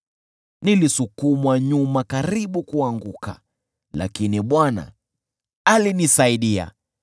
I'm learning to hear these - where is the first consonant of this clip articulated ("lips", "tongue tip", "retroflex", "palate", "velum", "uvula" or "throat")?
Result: tongue tip